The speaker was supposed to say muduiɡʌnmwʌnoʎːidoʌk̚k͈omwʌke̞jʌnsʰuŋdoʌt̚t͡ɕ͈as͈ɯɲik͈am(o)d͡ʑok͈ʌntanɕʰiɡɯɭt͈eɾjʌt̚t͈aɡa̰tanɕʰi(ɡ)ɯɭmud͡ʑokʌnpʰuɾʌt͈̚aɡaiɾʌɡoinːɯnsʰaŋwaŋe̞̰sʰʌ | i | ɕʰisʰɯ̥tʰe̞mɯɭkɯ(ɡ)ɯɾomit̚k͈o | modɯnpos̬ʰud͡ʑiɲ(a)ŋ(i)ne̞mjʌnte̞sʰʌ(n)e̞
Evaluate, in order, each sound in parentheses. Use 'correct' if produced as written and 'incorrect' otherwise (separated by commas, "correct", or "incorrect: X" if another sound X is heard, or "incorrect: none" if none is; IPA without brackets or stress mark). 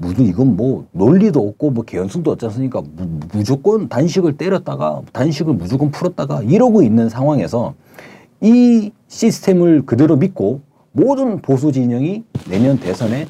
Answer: incorrect: u, correct, incorrect: d, incorrect: ʌ, correct, correct